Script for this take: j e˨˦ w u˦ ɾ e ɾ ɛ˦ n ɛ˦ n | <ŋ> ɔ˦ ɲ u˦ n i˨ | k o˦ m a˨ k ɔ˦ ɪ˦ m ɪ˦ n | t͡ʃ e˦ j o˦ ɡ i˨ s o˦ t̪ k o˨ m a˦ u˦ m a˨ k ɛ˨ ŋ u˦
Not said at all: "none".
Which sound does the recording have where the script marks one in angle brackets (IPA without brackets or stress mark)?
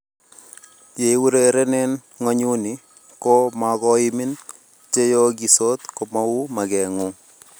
ŋ